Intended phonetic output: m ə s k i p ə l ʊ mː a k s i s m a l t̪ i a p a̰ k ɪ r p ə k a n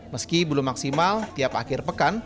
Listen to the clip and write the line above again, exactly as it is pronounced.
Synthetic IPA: m ə s k i b ə l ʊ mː a k s i m a l t̪ i a p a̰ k ɪ r p ə k a n